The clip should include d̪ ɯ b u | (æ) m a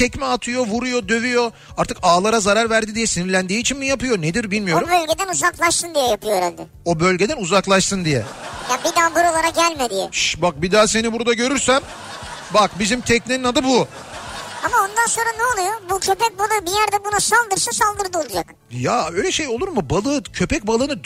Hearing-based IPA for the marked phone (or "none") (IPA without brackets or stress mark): a